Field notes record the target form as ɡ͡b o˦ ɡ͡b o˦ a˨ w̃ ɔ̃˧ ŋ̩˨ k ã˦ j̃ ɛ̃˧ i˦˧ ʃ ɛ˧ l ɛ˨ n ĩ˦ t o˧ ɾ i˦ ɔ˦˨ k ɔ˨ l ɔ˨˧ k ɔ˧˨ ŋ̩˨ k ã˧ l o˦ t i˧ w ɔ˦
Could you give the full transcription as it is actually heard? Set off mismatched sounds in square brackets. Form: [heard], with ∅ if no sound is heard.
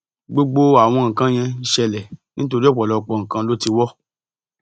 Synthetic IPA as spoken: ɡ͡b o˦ ɡ͡b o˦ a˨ w̃ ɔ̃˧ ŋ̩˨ k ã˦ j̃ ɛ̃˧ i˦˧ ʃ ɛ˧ l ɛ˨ n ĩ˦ t o˧ ɾ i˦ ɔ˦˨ [k͡p] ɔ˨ l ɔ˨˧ [k͡p] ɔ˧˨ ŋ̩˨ k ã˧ l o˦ t i˧ w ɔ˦